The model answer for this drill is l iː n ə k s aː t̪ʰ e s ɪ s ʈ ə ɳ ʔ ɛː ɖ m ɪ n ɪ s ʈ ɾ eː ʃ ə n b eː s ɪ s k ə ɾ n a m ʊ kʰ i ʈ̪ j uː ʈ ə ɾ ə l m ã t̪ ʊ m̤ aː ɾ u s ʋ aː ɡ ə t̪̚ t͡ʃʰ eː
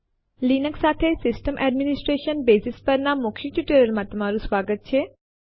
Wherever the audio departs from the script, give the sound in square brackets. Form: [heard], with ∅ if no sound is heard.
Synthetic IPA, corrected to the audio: l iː n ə k s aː t̪ʰ e s ɪ s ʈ ə [m] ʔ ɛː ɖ m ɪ n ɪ s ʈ ɾ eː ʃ ə n b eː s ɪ s [p] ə ɾ n a m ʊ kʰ i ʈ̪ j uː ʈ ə ɾ ə l m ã t̪ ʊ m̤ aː ɾ u s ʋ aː ɡ ə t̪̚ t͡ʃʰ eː